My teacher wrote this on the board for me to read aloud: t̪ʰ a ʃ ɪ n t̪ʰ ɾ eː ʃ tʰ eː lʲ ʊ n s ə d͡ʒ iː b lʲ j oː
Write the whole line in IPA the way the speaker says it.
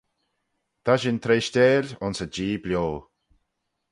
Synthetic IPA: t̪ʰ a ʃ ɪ n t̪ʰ ɾ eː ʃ t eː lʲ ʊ n s ə d͡ʒ iː b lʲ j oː

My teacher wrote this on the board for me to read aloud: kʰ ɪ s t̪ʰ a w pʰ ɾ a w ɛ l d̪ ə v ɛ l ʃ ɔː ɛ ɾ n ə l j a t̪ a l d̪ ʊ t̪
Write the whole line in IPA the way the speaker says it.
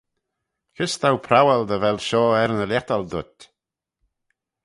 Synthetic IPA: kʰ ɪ s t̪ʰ a w pʰ ɾ a w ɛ l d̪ ə v ɛ l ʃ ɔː ɛ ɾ n ə l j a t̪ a l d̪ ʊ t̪

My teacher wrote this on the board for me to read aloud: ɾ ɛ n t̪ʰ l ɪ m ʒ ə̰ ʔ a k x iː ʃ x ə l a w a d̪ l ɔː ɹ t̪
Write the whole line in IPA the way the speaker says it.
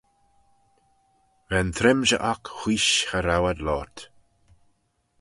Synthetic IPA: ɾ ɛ n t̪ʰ ɾ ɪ m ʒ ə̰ ʔ a k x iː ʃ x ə ɾ a w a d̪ l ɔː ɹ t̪

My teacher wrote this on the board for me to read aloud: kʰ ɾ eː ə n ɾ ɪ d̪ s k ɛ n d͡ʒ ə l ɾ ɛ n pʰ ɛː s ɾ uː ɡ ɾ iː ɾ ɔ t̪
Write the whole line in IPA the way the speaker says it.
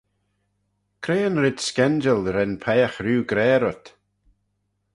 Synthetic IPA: kʰ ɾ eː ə n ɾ ɪ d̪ s k ɛ n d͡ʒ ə l ɾ ɛ n pʰ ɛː x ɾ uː ɡ ɾ ɛː ɾ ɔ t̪

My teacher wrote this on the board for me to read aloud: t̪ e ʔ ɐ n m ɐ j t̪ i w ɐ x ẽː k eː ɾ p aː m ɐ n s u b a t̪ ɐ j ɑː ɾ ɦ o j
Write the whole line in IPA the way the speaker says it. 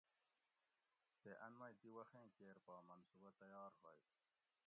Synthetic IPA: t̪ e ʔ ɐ n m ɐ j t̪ i w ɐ x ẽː k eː ɾ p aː m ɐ n s u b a t̪ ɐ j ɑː ɾ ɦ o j

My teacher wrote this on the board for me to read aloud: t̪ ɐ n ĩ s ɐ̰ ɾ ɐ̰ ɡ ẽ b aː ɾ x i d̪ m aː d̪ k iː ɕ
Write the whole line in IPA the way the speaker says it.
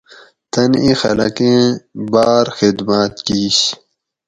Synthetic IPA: t̪ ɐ n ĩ x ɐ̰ l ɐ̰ k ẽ b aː ɾ x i d̪ m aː t̪ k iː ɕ

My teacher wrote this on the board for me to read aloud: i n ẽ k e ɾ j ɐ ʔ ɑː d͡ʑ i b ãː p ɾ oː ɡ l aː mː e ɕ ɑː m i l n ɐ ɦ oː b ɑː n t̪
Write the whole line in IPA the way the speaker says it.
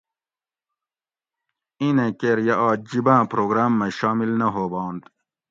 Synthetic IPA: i n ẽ k e ɾ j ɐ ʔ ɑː d͡ʑ i b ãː p ɾ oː ɡ ɾ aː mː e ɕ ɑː m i l n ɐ ɦ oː b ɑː n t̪

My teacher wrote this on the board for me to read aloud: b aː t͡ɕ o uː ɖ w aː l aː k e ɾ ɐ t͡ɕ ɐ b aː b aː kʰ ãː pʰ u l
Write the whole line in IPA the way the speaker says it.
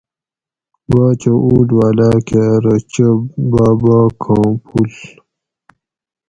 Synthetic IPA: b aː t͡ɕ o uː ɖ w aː l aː k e ɾ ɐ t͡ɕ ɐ b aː b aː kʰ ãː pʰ u l

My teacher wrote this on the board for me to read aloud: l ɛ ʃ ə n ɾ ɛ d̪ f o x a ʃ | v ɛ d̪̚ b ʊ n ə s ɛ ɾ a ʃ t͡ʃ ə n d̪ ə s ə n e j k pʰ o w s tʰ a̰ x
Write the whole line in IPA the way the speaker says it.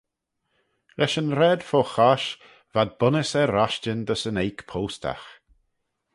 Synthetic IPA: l ɛ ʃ ə n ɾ ɛ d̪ f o x a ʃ | v a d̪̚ b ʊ n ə s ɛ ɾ a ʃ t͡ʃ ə n d̪ ə s ə n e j k pʰ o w s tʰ a̰ x

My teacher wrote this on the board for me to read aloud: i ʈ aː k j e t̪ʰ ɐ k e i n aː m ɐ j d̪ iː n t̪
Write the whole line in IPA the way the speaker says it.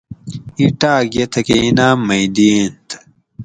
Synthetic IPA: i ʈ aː ɡ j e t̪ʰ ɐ k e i n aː m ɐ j d̪ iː n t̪

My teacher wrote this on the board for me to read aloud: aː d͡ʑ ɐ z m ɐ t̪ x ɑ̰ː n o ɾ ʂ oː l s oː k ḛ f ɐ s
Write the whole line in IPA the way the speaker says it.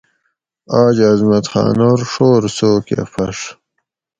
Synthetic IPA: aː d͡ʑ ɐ z m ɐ t̪ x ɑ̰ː n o ɾ ʂ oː ɾ s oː k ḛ f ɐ ʂ

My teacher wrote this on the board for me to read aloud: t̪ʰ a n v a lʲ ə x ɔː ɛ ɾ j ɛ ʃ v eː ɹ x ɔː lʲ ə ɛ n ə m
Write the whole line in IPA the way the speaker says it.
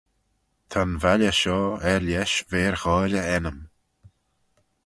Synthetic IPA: t̪ʰ a n v a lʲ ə ʃ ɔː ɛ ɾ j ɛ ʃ v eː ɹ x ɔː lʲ ə ɛ n ə m

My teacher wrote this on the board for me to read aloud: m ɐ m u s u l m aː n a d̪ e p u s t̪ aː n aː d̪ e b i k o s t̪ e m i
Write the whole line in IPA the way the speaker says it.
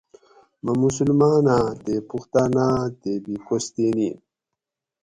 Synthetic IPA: m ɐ m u s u l m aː n a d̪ e p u x t̪ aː n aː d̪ e b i k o s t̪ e n i

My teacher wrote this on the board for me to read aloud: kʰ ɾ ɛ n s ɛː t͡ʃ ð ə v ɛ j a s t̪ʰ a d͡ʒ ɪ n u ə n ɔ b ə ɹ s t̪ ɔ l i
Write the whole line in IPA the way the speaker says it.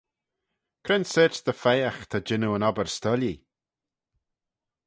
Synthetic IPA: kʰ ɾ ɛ n s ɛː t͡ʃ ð ə f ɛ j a x t̪ʰ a d͡ʒ ɪ n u ə n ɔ b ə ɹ s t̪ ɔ l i

